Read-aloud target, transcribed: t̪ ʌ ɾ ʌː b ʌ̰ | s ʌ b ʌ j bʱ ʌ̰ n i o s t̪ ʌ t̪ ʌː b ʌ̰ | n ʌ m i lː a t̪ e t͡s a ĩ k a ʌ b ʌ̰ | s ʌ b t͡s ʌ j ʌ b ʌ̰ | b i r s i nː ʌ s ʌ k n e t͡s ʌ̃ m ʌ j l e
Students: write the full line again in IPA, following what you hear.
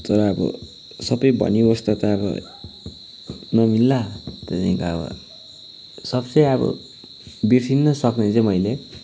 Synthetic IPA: t̪ ʌ ɾ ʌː b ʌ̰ | s ʌ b ʌ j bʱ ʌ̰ n i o s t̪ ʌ t̪ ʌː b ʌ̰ | n ʌ m i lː a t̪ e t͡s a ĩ k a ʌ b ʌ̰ | s ʌ b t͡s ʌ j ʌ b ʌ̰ | b i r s i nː ʌ s ʌ k n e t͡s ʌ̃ m ʌ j l e

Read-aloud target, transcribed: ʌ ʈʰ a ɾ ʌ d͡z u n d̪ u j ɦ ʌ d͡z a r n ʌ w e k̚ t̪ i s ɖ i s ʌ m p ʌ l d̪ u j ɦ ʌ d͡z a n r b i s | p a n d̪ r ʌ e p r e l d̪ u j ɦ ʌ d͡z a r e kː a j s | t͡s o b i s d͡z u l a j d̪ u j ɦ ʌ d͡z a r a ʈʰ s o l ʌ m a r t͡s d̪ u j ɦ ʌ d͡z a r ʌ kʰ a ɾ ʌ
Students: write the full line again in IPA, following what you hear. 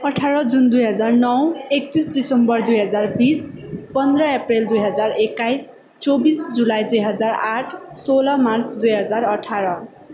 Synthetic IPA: ʌ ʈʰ a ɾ ʌ d͡z u n d̪ u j ɦ ʌ d͡z a r n ʌ w e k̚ t̪ i s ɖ i s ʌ m b ʌ r d̪ u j ɦ ʌ d͡z a r b i s | p ʌ n d̪ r ʌ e p r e l d̪ u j ɦ ʌ d͡z a r e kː a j s | t͡s o b i s d͡z u l a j d̪ u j ɦ ʌ d͡z a r a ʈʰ s o l ʌ m a r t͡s d̪ u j ɦ ʌ d͡z a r ʌ ʈʰ a ɾ ʌ

